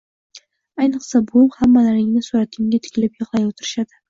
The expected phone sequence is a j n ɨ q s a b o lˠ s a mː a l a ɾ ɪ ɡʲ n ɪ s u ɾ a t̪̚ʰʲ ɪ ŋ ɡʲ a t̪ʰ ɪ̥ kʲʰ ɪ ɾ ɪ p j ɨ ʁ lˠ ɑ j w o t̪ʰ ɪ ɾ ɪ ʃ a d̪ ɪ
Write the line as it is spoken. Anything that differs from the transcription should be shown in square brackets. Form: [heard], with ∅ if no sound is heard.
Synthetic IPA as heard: a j n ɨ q s a b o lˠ [h] a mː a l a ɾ ɪ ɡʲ n ɪ s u ɾ a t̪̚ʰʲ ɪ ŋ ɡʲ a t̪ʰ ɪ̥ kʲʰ ɪ [l] ɪ p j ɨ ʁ lˠ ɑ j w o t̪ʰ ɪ ɾ ɪ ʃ a d̪ ɪ